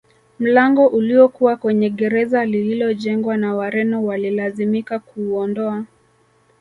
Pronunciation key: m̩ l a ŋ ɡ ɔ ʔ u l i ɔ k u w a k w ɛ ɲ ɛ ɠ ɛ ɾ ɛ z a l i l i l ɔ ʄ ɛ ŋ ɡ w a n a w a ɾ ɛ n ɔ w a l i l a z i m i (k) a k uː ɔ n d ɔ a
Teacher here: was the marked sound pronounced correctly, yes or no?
yes